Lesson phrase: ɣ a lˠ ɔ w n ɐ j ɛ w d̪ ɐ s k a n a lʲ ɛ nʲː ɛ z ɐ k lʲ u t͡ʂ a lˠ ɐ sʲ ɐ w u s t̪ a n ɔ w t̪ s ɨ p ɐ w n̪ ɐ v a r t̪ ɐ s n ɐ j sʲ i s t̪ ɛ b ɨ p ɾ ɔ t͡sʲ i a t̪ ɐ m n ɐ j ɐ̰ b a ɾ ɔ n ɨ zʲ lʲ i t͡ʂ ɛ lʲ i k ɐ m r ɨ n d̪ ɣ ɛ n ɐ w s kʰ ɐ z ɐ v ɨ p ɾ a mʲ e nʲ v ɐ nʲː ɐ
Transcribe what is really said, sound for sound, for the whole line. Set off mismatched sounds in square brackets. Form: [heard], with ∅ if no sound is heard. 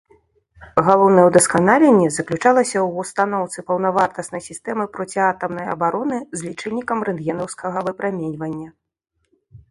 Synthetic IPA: ɣ a lˠ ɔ w n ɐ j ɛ w d̪ ɐ s k a n a lʲ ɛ nʲː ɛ z ɐ k lʲ u t͡ʂ a lˠ ɐ sʲ ɐ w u s t̪ a n ɔ w t̪ s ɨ p ɐ w n̪ ɐ v a r t̪ ɐ s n ɐ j sʲ i s t̪ ɛ [m] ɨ p ɾ ɔ t͡sʲ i a t̪ ɐ m n ɐ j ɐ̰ b a ɾ ɔ n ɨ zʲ lʲ i t͡ʂ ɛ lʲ i k ɐ m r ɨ n d̪ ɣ ɛ n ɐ w s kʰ ɐ [ɣ] ɐ v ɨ p ɾ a mʲ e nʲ v ɐ nʲː ɐ